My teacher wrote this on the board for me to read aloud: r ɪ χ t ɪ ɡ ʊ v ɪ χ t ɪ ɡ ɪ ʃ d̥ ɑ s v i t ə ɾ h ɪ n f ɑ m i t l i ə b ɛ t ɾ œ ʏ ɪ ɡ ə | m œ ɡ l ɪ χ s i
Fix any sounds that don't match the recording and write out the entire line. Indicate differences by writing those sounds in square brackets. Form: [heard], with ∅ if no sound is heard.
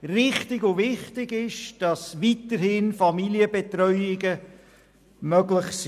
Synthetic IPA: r ɪ χ t ɪ ɡ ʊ v ɪ χ t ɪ ɡ ɪ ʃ d̥ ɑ s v i t ə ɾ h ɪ n f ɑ m i [∅] l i ə b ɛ t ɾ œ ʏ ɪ ɡ ə | m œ ɡ l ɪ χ s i